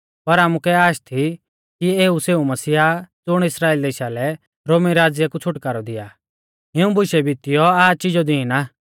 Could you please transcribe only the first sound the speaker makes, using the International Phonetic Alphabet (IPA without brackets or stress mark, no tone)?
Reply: p